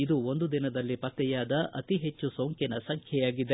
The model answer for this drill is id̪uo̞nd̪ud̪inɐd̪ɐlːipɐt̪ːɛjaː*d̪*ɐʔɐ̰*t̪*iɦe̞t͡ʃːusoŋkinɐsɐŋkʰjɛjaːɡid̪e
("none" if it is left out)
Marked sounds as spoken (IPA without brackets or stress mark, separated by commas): d̪, t̪